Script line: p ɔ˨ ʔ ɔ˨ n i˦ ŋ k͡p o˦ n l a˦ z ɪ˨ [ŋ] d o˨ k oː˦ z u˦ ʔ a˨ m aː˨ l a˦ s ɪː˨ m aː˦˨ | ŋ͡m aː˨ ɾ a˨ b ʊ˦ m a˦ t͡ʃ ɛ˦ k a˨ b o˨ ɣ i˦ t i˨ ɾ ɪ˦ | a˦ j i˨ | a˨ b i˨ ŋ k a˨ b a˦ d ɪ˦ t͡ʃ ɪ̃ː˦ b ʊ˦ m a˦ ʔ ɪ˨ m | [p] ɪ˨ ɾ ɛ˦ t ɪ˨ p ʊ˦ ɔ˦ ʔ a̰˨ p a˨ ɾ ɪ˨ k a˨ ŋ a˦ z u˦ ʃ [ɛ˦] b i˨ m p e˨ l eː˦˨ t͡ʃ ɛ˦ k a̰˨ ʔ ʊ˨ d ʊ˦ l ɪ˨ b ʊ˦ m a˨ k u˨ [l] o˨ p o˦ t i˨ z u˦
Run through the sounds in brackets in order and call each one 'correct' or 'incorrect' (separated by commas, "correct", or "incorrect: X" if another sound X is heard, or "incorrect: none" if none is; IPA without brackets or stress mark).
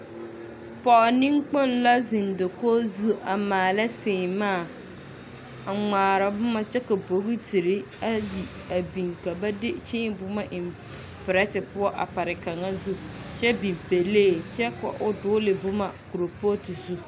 incorrect: n, correct, correct, incorrect: ɾ